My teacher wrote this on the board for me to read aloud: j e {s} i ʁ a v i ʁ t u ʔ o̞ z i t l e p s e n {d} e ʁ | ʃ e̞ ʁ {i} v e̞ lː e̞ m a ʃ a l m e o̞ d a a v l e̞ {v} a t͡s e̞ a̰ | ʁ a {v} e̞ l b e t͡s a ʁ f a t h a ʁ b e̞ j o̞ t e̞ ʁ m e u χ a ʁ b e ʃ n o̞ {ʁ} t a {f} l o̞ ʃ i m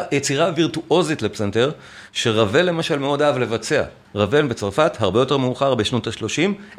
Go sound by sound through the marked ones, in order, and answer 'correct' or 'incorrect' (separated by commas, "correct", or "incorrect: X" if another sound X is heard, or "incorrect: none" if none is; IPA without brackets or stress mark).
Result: incorrect: t͡s, incorrect: t, incorrect: a, correct, correct, incorrect: none, incorrect: ʃ